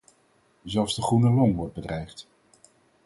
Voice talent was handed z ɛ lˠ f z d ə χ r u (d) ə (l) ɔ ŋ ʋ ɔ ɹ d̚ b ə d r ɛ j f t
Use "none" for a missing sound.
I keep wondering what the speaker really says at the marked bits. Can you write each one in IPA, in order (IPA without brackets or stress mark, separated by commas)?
n, l